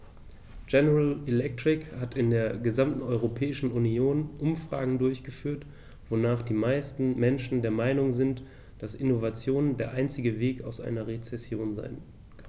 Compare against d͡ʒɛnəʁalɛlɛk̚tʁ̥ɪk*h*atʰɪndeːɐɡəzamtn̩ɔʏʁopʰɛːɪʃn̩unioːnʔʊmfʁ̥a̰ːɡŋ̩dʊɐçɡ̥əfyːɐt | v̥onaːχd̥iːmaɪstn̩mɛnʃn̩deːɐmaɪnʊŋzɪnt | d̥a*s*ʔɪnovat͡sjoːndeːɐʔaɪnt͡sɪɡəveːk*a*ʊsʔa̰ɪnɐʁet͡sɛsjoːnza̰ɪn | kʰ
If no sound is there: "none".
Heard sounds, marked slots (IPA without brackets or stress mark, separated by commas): h, s, a